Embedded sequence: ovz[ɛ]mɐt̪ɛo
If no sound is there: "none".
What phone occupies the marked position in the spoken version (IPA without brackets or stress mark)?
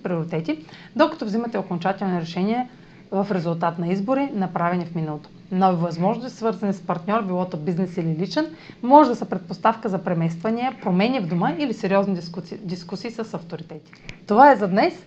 i